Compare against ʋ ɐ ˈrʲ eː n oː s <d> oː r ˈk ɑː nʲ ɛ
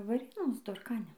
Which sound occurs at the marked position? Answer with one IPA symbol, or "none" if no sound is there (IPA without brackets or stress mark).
d